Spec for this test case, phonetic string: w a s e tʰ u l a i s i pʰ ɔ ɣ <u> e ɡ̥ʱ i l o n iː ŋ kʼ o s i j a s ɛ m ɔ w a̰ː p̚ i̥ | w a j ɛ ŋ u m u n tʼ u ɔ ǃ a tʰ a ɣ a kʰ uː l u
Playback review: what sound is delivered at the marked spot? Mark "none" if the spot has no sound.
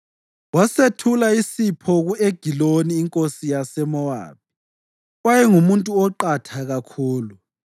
u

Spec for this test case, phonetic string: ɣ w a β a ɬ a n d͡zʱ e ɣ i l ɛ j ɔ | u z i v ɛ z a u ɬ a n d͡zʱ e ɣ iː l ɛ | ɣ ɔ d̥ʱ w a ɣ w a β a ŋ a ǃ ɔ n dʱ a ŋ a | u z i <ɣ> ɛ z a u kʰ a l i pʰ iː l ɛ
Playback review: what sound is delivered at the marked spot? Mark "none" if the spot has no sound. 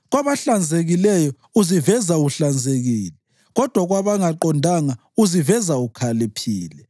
v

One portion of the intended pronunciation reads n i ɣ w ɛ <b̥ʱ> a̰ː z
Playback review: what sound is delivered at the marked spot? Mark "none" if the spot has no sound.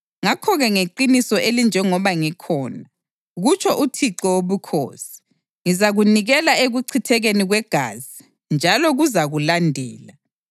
ɡ̥ʱ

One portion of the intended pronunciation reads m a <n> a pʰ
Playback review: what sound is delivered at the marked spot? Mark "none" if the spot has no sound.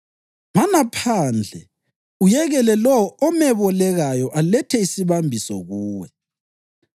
n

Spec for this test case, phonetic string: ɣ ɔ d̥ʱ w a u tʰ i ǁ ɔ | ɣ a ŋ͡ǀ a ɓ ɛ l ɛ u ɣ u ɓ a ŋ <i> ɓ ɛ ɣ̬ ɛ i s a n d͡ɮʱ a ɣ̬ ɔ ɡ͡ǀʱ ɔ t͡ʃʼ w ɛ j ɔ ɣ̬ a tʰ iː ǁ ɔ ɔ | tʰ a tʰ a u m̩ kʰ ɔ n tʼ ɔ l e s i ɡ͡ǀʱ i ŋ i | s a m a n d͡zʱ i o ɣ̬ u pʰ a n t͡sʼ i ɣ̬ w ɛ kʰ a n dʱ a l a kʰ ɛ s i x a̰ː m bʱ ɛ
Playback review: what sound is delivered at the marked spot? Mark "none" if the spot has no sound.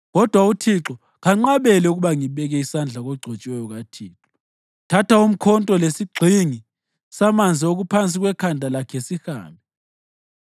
i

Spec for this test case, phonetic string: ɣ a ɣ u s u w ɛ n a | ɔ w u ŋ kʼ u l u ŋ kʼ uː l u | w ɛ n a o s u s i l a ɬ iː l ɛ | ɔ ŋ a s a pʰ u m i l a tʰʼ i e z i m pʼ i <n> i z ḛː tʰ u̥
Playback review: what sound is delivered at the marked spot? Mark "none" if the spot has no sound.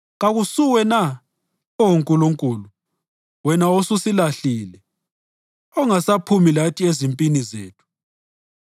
n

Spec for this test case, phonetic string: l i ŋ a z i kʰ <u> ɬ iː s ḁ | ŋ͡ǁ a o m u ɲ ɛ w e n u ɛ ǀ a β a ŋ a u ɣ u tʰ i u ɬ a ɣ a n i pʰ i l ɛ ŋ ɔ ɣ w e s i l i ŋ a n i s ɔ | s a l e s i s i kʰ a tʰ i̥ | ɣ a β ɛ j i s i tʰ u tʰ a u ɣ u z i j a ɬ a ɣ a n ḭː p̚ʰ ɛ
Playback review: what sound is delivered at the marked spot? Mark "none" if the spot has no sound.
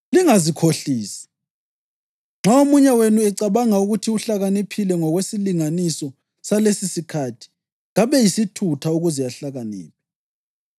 o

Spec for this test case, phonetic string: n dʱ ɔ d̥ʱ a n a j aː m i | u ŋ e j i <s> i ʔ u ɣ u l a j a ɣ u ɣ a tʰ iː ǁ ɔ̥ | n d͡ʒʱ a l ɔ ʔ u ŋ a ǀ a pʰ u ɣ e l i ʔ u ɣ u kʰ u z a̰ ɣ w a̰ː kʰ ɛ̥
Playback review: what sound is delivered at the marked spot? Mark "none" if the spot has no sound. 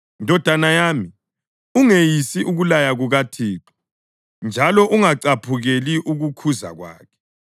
s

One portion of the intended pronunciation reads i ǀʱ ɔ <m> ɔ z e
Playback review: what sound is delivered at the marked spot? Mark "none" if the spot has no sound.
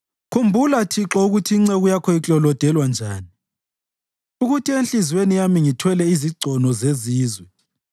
n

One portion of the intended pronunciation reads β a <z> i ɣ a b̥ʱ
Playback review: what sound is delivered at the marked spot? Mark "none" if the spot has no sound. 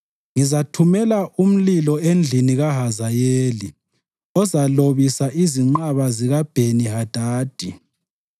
z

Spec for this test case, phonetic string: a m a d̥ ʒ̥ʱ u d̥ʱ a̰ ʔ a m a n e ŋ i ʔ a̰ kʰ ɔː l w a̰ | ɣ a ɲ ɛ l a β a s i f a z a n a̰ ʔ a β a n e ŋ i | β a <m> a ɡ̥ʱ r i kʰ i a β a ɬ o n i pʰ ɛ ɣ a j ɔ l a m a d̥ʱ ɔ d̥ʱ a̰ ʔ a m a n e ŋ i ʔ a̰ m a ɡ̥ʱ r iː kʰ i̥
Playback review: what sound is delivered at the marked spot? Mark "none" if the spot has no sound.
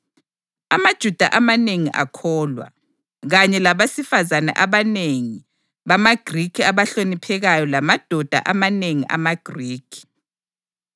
m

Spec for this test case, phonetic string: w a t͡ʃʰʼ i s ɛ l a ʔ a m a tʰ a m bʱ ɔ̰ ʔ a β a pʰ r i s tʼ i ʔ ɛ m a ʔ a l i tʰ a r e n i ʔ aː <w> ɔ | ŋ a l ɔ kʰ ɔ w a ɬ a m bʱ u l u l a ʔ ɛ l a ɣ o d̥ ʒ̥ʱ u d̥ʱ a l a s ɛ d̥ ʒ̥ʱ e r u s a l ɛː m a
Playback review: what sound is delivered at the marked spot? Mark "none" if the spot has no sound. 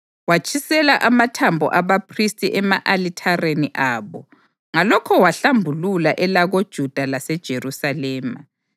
β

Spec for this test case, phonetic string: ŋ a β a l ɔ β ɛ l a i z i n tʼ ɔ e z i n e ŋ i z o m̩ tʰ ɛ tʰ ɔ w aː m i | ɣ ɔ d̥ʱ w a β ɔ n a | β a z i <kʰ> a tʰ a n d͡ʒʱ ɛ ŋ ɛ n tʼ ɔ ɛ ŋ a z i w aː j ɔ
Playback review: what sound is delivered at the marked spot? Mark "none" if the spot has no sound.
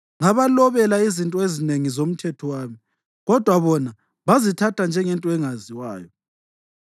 tʰ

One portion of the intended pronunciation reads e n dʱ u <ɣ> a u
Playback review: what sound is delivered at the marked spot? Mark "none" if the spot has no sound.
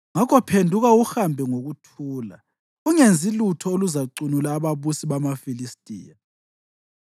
ɣ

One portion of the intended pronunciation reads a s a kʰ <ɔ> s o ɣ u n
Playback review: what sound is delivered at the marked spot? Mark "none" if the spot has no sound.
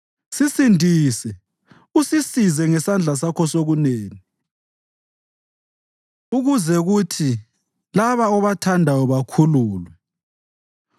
ɔ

